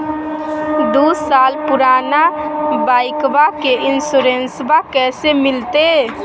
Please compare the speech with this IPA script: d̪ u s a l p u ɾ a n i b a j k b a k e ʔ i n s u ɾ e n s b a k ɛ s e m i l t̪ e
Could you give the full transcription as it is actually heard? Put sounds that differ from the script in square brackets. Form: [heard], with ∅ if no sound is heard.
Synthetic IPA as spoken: d̪ u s a l p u ɾ a n [a] b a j k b a k e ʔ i n s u ɾ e n s b a k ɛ s e m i l t̪ e